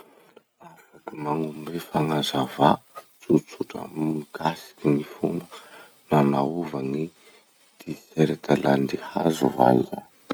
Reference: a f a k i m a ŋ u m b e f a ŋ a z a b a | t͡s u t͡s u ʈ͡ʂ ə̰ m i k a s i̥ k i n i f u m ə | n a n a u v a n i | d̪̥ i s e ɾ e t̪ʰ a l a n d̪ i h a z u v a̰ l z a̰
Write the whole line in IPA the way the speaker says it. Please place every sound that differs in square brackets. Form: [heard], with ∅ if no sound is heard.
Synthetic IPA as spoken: a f a k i m a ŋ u m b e f a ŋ a z a [v] a | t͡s u t͡s u ʈ͡ʂ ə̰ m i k a s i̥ k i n i f u m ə | n a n a u v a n i | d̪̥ i s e ɾ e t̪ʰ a l a n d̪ i h a z u v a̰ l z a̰

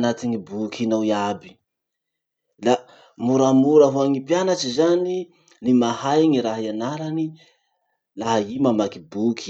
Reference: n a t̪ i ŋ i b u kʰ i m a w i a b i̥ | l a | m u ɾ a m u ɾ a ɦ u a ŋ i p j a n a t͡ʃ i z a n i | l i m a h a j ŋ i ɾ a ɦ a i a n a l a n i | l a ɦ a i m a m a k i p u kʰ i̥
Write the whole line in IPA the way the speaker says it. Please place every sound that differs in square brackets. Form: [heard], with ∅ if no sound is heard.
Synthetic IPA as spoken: n a t̪ i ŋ i b u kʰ i [n] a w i a b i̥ | l a | m u ɾ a m u ɾ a ɦ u a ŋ i p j a n a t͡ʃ i z a n i | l i m a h a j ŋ i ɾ a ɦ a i a n a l a n i | l a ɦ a i m a m a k i [b] u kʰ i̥

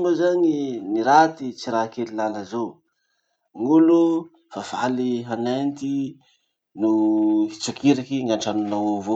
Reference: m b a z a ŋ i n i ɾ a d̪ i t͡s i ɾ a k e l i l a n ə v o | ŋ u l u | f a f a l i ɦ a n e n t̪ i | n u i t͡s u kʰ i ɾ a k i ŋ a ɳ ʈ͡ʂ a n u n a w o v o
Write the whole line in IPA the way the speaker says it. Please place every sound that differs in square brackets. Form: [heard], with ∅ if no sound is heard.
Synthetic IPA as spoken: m b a z a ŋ i n i ɾ a [t̪] i t͡s i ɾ a k e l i l a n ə [z] o | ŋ u l u | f a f a l i ɦ a n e n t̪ i | n u i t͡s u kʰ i ɾ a k i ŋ a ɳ ʈ͡ʂ a n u n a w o v o

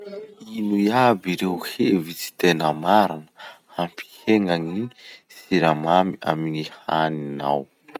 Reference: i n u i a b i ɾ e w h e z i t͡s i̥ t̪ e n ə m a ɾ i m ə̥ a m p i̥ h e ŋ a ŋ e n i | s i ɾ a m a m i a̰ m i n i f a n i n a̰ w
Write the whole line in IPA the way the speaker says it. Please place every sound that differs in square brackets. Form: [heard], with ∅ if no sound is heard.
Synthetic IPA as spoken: i n u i a b i ɾ e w h e [v] i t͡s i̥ t̪ e n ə m a ɾ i [n] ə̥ a m p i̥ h e ŋ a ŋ [i] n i | s i ɾ a m a m i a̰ m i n i [h] a n i n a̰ w

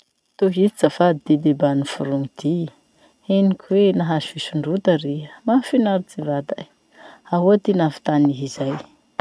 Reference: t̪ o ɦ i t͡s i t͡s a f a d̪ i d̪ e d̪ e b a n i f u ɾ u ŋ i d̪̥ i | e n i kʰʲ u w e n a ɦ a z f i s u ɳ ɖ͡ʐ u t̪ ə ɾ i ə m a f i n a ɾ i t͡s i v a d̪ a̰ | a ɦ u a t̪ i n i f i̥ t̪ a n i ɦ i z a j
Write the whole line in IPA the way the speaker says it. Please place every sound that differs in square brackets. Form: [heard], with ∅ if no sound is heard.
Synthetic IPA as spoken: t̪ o ɦ i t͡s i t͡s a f a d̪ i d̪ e d̪ e b a n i f u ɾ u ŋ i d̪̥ i | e n i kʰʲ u w e n a ɦ a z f i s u ɳ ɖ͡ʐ u t̪ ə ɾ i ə m a f i n a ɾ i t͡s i v a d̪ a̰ | a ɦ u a t̪ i n [a] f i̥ t̪ a n i ɦ i z a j

